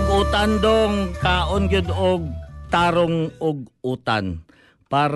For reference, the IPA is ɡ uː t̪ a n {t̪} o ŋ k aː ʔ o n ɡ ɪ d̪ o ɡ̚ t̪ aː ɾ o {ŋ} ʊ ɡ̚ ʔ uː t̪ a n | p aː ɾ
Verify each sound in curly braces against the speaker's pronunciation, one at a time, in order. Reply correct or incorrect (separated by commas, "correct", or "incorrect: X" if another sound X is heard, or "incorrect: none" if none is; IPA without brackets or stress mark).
incorrect: d̪, correct